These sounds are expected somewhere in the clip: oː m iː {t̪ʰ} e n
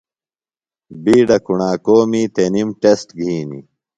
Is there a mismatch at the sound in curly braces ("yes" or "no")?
yes